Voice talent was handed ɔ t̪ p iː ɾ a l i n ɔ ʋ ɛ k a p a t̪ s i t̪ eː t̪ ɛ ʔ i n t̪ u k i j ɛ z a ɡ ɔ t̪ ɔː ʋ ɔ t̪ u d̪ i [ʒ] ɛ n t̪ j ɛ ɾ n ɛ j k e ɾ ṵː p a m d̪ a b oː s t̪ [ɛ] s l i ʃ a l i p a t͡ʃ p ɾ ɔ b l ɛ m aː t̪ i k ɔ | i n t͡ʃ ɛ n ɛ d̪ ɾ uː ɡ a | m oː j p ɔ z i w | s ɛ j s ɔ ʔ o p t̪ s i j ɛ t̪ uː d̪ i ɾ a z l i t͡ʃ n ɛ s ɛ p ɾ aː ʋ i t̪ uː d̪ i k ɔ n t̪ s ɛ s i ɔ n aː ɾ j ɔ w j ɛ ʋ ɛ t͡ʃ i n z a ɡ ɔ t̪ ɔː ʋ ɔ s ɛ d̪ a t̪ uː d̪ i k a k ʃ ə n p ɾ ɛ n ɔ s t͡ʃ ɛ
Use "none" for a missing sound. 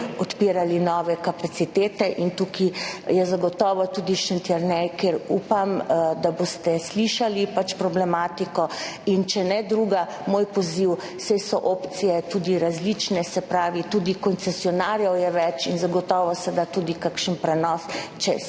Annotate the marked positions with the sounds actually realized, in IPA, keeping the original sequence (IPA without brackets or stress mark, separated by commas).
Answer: ʃ, ɛ